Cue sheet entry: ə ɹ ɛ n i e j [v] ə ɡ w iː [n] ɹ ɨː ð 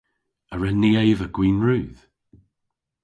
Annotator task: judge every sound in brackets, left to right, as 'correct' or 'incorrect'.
correct, correct

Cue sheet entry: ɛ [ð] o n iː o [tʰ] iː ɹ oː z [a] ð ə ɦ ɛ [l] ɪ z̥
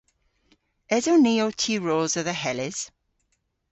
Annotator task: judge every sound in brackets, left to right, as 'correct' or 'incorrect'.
incorrect: z, correct, incorrect: ə, correct

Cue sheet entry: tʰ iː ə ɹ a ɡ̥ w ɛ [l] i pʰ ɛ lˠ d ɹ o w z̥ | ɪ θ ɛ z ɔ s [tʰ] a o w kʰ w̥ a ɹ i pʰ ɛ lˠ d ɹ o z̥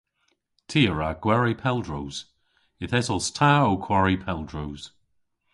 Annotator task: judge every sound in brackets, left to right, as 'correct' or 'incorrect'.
incorrect: ɹ, correct

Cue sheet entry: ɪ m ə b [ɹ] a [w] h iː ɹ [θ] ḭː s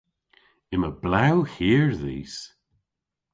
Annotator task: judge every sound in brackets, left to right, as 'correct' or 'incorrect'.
incorrect: l, correct, incorrect: ð

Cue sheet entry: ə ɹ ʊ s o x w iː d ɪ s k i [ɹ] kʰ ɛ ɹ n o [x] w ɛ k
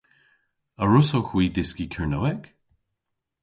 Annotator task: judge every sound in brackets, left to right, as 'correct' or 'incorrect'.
incorrect: none, incorrect: none

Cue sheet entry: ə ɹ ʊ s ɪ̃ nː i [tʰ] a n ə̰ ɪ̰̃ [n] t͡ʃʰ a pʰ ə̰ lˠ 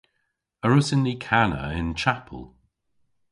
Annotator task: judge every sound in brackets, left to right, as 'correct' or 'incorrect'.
incorrect: kʰ, correct

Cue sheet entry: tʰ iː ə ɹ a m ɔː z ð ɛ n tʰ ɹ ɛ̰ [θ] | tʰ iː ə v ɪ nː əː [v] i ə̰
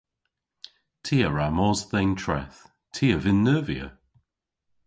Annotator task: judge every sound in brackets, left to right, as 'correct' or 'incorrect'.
correct, correct

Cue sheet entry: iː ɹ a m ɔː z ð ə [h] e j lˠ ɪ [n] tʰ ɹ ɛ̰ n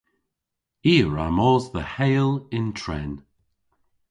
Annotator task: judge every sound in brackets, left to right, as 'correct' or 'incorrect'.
correct, correct

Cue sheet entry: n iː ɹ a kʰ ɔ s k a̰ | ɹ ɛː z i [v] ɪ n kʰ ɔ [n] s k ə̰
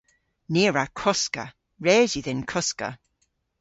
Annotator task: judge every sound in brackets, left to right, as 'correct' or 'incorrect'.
incorrect: ð, incorrect: none

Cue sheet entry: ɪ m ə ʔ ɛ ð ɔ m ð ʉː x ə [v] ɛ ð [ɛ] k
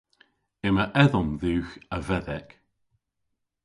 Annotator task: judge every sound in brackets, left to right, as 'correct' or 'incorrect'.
correct, correct

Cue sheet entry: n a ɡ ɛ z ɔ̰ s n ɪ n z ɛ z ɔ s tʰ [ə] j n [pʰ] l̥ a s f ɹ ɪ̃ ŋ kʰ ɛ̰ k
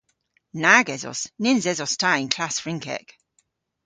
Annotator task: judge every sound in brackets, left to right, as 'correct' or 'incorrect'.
incorrect: a, incorrect: kʰ

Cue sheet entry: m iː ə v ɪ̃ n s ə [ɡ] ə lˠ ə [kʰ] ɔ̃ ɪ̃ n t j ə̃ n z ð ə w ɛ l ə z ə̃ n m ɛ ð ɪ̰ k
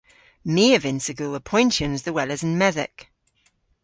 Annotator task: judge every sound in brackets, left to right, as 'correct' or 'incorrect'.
correct, incorrect: pʰ

